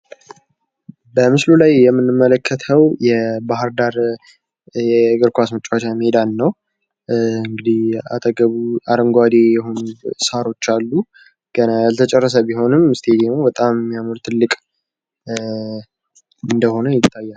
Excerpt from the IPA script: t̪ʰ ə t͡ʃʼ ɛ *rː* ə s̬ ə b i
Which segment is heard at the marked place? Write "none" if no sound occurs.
rː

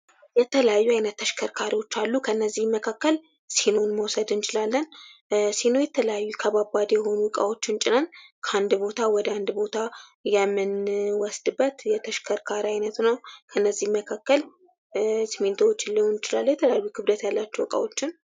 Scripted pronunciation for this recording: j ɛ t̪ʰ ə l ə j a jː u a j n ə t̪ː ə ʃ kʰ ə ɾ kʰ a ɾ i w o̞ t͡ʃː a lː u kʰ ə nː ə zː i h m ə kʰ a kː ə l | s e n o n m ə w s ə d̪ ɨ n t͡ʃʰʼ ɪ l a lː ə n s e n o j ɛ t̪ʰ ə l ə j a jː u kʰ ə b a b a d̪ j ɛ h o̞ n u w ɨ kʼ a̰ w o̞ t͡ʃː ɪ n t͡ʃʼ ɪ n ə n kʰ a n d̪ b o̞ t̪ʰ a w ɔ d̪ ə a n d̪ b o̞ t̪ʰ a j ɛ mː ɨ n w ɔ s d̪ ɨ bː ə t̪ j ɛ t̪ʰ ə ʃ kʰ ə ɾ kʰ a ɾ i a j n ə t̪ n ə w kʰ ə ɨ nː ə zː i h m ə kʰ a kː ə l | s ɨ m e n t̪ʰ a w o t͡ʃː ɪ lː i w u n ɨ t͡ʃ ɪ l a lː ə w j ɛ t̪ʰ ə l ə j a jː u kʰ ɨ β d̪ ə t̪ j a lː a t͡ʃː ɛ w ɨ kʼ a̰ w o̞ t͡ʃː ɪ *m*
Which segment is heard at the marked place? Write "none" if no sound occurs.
n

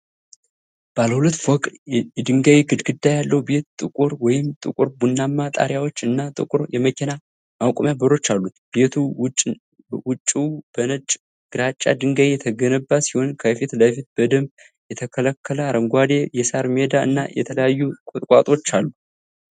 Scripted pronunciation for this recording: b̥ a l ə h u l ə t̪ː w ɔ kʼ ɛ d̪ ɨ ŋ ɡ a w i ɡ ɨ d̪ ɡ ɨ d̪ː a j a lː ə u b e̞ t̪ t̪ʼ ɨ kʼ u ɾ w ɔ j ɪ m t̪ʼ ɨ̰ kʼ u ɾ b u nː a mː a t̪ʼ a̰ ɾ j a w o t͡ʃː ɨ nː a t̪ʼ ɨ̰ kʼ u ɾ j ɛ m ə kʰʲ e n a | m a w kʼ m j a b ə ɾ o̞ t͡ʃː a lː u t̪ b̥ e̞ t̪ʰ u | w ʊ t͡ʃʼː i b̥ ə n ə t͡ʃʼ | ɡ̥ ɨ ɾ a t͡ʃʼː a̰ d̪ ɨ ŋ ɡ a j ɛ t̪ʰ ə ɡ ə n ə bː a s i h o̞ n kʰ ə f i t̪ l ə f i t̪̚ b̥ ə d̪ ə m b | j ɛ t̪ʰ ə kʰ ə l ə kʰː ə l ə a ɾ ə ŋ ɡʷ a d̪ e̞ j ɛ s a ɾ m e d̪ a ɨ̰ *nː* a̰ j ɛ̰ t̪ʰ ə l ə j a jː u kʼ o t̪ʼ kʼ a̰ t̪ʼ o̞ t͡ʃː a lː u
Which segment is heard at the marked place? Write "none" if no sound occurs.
nː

